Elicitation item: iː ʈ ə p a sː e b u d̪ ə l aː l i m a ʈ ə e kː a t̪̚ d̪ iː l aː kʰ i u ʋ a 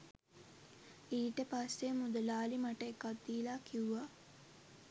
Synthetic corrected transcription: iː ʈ ə p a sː e m u d̪ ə l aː l i m a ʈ ə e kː a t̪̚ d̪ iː l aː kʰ i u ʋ a